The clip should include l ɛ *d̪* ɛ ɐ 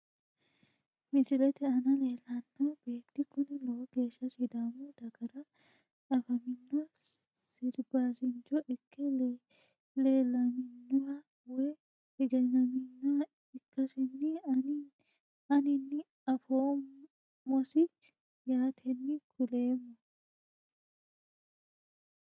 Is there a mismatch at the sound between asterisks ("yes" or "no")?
yes